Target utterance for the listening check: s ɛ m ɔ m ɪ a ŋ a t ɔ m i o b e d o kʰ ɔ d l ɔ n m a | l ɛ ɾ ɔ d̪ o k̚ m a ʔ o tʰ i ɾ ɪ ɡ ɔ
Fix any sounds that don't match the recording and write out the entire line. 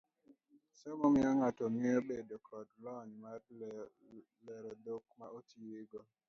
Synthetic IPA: s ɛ m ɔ m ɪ a ŋ a t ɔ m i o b e d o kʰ ɔ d l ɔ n m a | l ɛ ɾ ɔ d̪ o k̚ m a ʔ o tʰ i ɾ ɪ ɡ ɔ